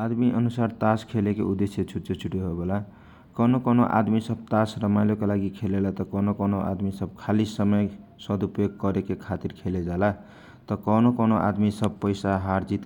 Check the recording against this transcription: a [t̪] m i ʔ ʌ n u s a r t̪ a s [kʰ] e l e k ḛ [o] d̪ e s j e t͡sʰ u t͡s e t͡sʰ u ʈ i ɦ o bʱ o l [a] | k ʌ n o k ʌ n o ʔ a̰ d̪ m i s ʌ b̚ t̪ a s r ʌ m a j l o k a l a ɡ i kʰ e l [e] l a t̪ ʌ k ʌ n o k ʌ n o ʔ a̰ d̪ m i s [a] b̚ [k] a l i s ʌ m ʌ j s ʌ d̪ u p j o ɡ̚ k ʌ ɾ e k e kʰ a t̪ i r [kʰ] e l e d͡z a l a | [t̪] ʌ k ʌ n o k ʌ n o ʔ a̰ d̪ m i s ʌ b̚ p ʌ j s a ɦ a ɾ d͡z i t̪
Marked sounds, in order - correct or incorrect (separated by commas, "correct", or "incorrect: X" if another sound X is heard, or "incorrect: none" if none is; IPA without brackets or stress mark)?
incorrect: d̪, correct, incorrect: u, correct, correct, incorrect: ʌ, incorrect: kʰ, correct, correct